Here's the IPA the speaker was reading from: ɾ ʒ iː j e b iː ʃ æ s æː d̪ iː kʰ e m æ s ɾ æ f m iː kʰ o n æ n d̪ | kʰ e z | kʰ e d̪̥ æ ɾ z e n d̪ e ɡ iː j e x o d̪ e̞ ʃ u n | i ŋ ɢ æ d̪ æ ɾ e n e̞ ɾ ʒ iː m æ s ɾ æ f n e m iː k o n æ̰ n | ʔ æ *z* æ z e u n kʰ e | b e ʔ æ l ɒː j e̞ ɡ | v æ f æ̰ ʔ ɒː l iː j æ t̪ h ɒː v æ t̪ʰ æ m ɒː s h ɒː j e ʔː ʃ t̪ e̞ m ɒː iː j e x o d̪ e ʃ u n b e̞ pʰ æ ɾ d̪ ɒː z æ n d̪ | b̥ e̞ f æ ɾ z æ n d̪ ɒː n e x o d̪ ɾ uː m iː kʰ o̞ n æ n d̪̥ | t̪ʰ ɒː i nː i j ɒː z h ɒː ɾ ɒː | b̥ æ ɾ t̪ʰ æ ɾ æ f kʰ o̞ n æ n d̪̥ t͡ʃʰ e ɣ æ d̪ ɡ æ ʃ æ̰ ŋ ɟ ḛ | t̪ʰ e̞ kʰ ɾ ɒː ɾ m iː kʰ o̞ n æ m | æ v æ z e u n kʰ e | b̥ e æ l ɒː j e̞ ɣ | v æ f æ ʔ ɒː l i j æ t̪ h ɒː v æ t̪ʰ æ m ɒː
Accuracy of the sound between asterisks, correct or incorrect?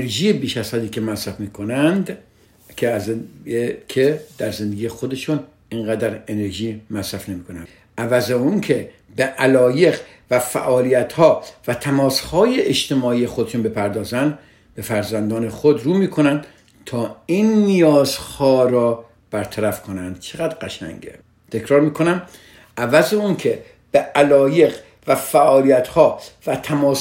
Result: incorrect